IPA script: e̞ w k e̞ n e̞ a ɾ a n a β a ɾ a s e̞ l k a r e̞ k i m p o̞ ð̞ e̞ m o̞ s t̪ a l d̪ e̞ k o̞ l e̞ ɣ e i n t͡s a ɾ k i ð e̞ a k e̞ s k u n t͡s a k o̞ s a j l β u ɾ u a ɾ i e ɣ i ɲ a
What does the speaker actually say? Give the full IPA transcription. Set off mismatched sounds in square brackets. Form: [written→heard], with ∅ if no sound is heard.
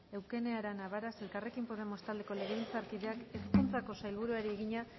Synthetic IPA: e̞ w k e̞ n e̞ a ɾ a n a β a ɾ a s e̞ l k a r e̞ k i m p o̞ ð̞ e̞ m o̞ s t̪ a l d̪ e̞ k o̞ l e̞ ɣ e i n t͡s a ɾ k i ð e̞ a k e̞ s k u n t͡s a k o̞ s a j l β u ɾ u a ɾ i e ɣ i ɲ a